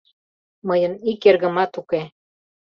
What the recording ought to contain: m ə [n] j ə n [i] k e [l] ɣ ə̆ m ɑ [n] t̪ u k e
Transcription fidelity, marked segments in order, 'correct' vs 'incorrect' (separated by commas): incorrect, correct, incorrect, incorrect